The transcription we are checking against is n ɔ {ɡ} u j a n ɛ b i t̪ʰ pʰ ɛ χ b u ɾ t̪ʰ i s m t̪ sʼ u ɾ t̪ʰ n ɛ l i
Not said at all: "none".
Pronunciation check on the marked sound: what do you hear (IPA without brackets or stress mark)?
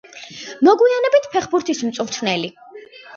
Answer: ɡ